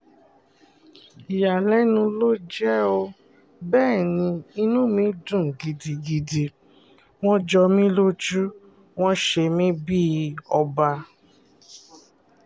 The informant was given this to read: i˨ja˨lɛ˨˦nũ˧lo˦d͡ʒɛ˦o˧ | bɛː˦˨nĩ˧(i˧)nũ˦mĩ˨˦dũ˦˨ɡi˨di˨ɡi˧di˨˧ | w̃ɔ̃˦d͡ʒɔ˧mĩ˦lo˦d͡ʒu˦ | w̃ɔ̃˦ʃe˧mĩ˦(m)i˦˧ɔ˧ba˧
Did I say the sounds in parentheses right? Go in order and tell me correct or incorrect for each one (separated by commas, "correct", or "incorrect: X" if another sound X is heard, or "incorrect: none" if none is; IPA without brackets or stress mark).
correct, incorrect: b